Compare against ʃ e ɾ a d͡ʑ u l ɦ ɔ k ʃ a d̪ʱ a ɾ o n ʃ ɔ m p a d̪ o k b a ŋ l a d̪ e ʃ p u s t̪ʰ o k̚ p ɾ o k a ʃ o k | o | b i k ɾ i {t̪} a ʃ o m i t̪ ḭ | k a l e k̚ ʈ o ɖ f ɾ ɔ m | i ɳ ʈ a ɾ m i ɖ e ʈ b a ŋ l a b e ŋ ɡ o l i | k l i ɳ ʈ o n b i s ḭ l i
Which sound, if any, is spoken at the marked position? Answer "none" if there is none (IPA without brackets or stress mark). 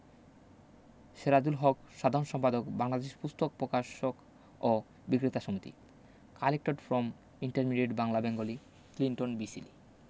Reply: t̪